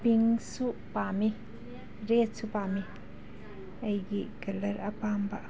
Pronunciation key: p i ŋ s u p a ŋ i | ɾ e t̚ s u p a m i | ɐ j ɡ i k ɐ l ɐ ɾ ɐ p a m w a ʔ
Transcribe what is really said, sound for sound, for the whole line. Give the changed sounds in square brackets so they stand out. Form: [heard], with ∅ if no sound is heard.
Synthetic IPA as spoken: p i ŋ s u p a [m] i | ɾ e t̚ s u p a m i | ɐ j ɡ i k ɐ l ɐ ɾ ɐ p a m [b] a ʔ